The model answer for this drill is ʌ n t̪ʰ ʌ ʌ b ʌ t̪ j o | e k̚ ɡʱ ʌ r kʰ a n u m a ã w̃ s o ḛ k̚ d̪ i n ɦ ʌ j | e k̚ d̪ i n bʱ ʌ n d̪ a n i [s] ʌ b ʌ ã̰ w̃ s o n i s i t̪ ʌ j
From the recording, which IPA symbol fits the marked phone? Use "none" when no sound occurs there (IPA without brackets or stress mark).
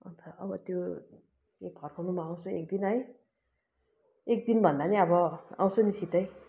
none